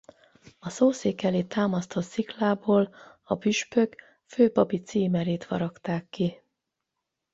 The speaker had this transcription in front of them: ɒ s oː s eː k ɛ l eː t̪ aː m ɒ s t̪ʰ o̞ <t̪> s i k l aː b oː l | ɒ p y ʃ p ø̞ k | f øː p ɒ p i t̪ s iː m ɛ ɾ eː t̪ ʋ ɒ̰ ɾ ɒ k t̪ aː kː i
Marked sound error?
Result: no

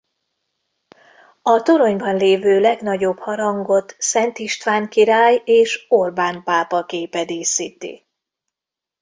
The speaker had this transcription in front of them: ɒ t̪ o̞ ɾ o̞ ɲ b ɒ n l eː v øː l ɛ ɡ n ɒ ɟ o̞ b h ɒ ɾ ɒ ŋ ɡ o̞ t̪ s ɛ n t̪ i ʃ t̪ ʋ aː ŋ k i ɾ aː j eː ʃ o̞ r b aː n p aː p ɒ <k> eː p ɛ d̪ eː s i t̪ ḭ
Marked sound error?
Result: no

